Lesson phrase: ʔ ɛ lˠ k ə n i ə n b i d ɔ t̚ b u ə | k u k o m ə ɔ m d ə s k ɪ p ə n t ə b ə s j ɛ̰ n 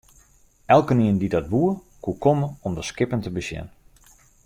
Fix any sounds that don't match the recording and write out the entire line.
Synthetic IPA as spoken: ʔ ɛ lˠ k ə n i ə n d i d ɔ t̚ b u ə | k u k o m ə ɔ m d ə s k ɪ p ə n t ə b ə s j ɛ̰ n